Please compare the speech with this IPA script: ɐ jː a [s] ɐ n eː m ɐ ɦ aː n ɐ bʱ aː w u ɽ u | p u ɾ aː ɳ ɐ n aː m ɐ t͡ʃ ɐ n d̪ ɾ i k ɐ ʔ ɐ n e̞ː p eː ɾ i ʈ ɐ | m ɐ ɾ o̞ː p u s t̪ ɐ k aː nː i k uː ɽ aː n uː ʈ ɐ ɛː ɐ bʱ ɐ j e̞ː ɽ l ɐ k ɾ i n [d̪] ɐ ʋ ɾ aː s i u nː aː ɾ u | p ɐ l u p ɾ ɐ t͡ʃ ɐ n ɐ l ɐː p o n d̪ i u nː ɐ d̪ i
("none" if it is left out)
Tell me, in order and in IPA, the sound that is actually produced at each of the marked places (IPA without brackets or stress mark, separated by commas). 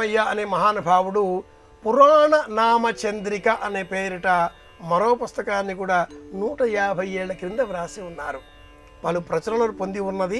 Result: none, d̪